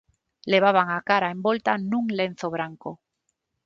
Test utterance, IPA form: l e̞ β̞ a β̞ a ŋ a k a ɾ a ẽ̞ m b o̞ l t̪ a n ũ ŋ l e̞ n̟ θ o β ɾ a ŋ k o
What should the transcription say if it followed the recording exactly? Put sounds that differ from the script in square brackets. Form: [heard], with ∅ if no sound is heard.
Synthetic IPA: l e̞ β̞ a β̞ a ŋ a k a ɾ a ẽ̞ m b o̞ l t̪ a n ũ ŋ l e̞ n̟ θ o β ɾ a ŋ k o